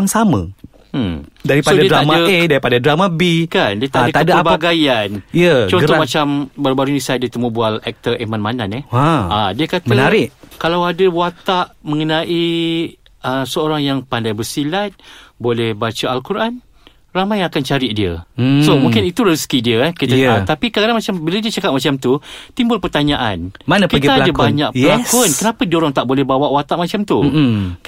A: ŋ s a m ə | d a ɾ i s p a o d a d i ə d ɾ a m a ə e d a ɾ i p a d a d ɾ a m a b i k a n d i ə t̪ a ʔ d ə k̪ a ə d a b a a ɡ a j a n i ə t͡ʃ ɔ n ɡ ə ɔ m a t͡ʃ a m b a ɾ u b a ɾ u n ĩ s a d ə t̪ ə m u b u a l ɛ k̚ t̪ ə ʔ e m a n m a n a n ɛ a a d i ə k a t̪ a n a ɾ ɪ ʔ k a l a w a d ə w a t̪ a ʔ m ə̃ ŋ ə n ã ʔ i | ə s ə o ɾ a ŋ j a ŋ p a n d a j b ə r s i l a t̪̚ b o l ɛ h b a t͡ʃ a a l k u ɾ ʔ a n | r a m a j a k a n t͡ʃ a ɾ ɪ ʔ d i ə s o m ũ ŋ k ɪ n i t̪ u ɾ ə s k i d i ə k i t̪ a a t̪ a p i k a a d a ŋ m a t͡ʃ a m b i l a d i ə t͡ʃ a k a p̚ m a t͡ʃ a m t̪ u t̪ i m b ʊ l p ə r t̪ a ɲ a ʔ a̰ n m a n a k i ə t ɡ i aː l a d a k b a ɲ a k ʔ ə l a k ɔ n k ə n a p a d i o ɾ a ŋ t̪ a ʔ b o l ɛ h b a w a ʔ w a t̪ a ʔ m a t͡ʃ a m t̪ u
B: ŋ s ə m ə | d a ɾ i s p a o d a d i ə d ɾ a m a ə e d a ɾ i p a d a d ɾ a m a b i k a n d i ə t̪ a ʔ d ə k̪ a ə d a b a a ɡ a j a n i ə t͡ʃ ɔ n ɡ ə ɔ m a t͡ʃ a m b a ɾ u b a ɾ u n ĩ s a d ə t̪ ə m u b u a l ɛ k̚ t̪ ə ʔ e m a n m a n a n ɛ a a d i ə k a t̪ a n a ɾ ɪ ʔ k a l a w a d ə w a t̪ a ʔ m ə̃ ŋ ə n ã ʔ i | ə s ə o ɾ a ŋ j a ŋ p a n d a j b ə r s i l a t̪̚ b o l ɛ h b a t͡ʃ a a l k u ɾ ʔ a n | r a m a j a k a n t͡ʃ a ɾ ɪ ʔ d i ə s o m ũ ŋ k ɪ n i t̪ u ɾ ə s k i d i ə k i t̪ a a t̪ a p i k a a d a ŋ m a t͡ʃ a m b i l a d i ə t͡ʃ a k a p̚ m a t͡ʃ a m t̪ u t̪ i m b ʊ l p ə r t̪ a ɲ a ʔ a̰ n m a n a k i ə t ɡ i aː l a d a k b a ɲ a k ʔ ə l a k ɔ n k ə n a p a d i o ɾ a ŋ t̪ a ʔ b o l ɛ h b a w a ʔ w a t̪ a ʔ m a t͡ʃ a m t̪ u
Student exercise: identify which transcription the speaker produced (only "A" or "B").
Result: A